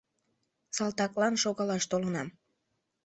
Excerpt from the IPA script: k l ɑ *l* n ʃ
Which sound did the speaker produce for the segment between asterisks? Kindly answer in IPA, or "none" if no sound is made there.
none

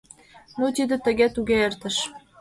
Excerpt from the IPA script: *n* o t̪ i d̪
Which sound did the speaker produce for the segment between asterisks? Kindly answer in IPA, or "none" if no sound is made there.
n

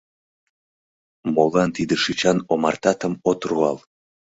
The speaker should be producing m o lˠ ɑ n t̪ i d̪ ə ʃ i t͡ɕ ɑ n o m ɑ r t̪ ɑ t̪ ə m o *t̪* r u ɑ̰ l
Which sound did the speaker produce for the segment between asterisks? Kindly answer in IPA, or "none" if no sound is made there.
t̪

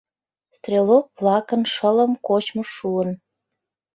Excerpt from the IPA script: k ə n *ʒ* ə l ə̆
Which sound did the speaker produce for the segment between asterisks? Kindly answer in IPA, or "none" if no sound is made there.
ʃ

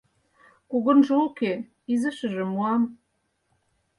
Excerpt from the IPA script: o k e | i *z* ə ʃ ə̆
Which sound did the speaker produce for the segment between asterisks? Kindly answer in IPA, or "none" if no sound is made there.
z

